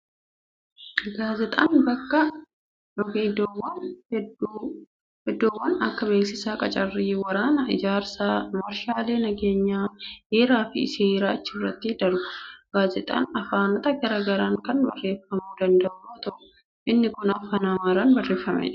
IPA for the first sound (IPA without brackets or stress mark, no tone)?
ɡ